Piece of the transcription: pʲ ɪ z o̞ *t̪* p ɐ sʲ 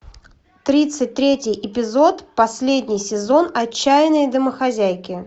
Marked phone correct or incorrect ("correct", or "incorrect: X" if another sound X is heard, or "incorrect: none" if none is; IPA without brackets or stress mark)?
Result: correct